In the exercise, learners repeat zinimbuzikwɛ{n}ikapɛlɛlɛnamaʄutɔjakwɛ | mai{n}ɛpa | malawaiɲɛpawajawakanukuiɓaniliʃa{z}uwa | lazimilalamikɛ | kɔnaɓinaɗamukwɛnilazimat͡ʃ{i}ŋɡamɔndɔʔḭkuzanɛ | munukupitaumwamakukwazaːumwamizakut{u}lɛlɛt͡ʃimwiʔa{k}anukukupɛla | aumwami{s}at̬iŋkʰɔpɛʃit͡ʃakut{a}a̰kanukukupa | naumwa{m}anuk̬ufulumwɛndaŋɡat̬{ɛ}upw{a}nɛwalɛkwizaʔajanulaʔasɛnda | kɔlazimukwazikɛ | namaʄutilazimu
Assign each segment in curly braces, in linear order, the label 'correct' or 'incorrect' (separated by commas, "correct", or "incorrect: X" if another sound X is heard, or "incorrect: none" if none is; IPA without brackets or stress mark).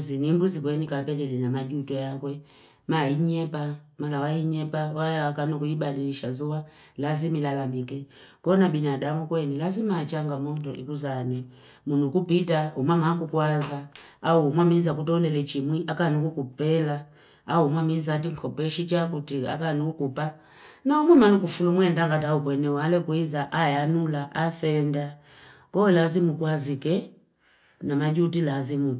correct, incorrect: ɲ, correct, incorrect: a, incorrect: ɔ, correct, incorrect: z, incorrect: i, correct, incorrect: a, incorrect: ɛ